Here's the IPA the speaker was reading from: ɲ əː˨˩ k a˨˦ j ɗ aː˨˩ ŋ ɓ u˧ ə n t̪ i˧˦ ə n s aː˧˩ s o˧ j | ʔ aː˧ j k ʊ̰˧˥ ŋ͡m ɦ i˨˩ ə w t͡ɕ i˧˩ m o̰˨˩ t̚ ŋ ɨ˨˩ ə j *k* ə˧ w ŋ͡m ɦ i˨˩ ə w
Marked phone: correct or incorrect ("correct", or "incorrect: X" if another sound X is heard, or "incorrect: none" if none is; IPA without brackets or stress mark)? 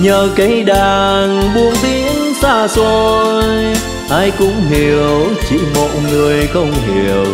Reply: incorrect: x